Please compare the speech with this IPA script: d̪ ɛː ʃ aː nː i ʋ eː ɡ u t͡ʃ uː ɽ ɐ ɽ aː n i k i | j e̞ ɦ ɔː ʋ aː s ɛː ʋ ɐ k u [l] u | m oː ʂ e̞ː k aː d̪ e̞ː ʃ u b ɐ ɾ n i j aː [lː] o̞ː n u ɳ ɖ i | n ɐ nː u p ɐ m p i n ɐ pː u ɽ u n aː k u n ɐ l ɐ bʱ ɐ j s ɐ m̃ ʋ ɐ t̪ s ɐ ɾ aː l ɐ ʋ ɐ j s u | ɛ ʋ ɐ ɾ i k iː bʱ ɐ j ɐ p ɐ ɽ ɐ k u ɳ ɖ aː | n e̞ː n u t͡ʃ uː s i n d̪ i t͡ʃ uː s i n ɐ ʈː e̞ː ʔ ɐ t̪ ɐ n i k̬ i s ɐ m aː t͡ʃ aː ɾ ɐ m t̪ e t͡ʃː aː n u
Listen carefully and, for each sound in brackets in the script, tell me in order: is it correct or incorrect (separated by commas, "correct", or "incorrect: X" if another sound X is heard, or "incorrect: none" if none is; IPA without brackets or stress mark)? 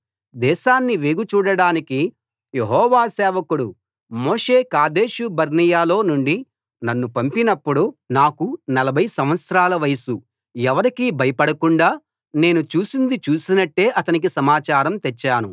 incorrect: ɽ, incorrect: l